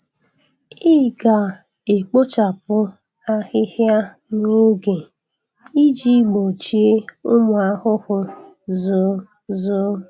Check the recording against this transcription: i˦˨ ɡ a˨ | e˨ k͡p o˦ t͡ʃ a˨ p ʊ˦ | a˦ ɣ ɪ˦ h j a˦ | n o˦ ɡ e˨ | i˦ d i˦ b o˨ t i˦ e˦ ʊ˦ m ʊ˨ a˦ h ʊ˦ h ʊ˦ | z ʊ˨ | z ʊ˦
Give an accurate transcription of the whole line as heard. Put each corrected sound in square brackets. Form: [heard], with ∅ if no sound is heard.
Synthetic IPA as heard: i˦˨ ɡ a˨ | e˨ k͡p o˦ t͡ʃ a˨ p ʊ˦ | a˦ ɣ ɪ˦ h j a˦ | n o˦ ɡ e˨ | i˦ [d͡ʒ] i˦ [ɡ͡b] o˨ [t͡ʃ] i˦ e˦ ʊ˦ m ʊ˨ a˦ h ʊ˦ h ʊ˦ | z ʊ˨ | z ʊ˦